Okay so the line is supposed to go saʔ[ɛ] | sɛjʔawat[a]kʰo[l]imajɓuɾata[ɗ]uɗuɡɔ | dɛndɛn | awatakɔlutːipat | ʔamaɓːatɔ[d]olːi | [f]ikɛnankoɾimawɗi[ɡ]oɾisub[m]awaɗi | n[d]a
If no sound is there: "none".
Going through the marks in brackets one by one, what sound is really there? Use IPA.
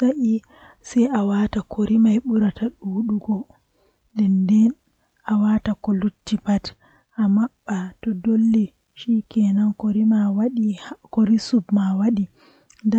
i, a, ɾ, ɗ, d, ʃ, k, m, d

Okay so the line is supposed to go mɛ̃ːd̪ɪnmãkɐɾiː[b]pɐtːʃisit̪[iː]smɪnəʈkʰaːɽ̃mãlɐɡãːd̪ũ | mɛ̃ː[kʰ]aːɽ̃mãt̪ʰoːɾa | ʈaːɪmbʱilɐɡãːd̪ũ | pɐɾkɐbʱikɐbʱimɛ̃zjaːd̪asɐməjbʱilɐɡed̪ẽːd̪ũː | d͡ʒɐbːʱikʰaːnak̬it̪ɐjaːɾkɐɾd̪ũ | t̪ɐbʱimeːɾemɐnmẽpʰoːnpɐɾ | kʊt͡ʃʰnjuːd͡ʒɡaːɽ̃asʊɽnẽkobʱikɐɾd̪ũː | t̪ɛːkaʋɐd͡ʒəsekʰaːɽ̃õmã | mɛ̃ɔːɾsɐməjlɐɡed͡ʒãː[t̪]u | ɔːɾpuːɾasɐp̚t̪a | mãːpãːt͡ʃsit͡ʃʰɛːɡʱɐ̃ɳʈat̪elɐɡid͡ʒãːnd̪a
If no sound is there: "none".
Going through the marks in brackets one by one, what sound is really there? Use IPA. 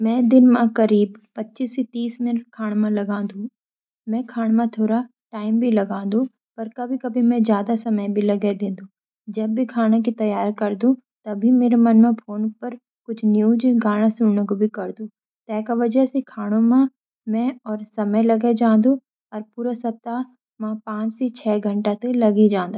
b, iː, kʰ, d̪

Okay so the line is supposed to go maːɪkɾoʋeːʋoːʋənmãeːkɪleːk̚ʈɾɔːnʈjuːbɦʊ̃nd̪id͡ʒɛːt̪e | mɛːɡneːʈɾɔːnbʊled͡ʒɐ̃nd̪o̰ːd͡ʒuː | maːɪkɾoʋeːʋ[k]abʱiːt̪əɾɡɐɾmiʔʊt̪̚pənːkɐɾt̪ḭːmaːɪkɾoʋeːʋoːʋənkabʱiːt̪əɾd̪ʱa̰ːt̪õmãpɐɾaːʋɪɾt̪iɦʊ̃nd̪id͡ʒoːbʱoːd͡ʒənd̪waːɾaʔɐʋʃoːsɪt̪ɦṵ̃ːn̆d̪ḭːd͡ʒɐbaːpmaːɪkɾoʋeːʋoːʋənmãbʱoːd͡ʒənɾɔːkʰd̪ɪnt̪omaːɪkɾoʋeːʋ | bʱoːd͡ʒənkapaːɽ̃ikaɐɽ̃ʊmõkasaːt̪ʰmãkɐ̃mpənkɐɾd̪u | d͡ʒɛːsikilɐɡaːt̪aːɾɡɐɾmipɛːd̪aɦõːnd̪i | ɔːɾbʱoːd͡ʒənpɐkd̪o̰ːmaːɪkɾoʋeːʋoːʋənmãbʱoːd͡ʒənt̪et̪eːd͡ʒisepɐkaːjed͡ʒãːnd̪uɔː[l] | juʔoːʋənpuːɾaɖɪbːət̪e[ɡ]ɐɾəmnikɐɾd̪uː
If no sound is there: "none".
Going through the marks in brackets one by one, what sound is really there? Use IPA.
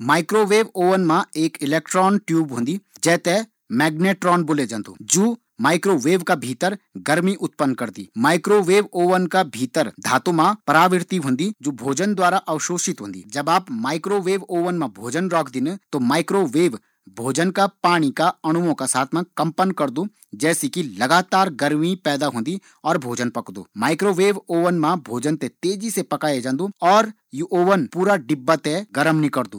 k, ɾ, ɡ

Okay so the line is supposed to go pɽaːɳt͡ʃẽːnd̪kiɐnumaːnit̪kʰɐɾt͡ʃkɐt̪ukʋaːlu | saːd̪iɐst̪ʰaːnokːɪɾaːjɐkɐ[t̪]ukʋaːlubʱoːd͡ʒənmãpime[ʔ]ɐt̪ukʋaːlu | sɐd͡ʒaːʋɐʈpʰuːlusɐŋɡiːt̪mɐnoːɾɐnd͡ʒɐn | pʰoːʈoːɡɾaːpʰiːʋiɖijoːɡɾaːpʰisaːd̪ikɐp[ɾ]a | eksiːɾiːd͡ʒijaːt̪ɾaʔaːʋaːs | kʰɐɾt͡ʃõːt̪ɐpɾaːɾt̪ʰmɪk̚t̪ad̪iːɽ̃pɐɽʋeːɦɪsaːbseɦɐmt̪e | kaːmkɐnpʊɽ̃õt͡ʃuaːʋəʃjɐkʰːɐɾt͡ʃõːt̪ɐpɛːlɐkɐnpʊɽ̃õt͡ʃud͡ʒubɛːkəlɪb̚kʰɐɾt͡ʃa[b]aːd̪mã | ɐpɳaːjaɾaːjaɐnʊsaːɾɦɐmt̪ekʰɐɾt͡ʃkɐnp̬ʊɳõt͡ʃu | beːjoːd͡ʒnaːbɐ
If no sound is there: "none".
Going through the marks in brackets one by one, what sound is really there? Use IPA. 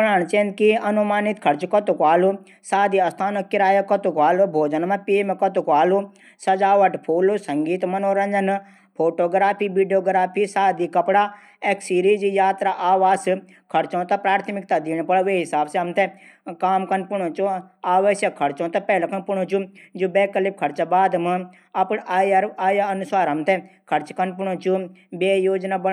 t̪, k, ɽ, b

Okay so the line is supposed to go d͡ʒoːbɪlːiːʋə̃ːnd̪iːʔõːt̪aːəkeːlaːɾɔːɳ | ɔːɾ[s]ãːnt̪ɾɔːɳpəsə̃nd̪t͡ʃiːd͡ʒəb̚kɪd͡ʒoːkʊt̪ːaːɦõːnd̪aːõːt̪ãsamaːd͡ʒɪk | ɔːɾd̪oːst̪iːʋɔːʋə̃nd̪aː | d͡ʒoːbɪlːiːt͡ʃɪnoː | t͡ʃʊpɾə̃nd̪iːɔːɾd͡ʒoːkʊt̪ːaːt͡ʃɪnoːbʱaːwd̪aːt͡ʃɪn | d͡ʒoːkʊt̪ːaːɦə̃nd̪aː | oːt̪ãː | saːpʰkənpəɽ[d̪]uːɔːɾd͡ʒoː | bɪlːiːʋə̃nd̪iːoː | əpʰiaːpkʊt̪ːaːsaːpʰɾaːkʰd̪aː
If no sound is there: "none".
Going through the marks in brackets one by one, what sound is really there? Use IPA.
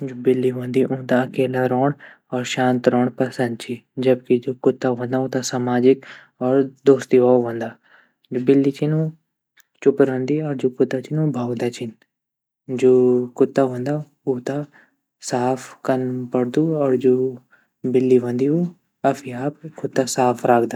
ʃ, d̪

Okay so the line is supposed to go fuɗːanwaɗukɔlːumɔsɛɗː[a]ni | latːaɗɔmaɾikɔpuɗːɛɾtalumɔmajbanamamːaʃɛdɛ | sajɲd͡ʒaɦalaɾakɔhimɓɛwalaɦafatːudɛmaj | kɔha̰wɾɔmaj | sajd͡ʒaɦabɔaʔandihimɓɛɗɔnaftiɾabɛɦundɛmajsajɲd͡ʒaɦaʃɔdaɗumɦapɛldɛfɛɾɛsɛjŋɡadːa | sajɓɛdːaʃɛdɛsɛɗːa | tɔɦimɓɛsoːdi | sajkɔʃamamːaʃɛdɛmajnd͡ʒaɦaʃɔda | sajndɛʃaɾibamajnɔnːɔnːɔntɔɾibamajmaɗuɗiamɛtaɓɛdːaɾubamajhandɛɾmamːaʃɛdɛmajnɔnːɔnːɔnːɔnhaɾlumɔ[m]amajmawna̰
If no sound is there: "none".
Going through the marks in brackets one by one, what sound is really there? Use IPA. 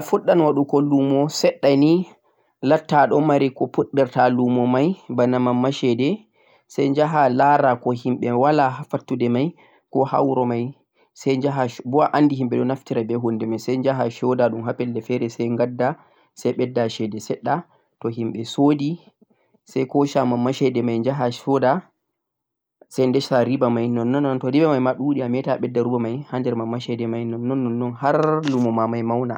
a, m

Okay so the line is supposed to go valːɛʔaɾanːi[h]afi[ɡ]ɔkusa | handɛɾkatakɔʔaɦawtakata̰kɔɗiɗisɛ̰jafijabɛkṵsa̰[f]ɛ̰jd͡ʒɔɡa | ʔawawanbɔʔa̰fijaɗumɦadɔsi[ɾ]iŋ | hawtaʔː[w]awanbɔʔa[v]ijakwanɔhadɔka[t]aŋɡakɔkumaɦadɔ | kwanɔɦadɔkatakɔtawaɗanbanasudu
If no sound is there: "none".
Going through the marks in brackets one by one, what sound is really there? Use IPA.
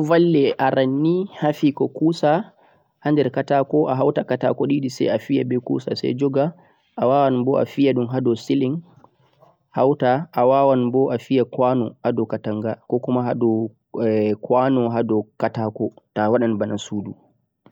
h, k, s, l, w, f, t

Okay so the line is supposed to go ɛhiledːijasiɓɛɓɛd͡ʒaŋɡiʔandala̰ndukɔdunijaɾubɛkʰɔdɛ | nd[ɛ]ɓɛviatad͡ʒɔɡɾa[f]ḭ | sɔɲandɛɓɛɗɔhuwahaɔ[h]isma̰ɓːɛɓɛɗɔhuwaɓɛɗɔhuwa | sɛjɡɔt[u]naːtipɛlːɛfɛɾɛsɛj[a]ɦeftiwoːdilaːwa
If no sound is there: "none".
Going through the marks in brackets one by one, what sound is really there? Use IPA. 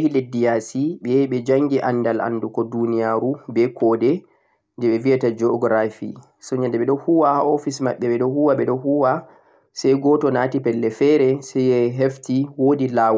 ɛ, f, f, ɔ, ɛ

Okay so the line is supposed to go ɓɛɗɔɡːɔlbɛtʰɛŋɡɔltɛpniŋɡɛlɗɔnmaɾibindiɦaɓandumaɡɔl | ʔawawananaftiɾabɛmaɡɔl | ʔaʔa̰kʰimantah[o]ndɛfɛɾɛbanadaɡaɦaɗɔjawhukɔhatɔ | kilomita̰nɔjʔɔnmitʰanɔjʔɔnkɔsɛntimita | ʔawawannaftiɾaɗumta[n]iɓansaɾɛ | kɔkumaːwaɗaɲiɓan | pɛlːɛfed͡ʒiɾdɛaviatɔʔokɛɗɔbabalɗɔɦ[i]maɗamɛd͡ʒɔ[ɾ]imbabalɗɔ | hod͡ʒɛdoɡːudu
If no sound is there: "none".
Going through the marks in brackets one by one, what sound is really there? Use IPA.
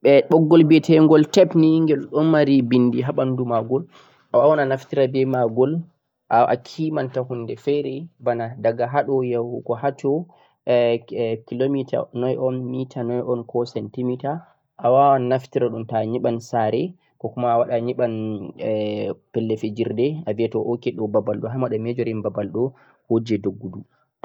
u, ɲ, a, ɾ

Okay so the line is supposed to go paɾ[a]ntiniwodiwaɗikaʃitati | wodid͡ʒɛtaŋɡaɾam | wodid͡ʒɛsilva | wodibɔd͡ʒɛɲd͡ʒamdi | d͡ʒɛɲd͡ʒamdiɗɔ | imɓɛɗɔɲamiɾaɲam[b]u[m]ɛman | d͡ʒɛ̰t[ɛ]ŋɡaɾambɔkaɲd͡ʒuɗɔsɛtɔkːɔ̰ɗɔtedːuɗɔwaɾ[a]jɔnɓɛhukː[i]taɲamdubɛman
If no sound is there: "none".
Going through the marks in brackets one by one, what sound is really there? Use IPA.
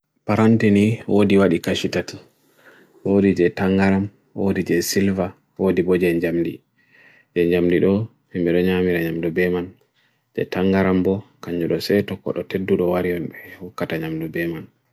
a, d, b, a, i, a

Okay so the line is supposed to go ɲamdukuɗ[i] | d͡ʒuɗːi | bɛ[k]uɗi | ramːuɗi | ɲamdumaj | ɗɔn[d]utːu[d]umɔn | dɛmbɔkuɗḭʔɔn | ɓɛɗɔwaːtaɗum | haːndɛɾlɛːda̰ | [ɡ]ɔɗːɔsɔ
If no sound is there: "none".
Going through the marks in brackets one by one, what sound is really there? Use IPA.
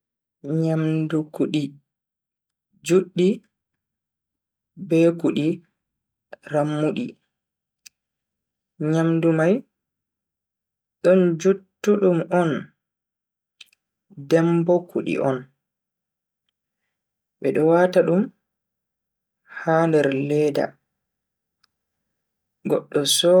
i, k, d͡ʒ, ɗ, ɡ

